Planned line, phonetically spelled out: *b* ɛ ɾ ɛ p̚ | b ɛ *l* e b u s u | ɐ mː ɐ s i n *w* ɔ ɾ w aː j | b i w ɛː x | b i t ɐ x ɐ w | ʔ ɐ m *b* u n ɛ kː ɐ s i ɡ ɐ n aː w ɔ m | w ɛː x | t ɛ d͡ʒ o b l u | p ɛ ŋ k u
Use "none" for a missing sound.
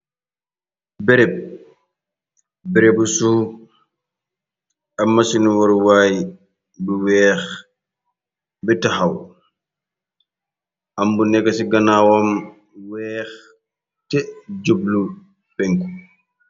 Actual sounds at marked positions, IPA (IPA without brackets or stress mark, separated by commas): b, ɾ, w, b